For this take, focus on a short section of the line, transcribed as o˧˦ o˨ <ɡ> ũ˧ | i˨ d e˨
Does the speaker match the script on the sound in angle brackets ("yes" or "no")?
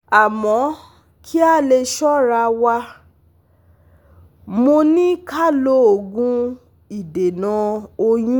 yes